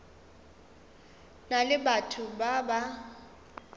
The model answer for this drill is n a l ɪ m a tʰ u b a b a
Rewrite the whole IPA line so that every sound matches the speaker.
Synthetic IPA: n a l ɪ b a tʰ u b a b a

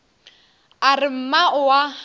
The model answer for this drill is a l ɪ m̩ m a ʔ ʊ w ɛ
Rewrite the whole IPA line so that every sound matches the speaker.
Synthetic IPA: a r ɪ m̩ m a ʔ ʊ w a

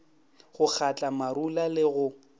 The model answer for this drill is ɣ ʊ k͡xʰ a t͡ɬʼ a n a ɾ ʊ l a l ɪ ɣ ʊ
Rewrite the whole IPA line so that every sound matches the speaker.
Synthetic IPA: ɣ ʊ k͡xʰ a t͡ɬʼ a m a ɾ u l a l ɪ ɣ ʊ

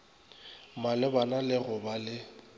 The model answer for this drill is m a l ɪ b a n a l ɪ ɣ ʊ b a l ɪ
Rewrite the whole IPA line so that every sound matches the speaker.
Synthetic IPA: m a l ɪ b a n a l ɪ ɣ ʊ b a l ɪ

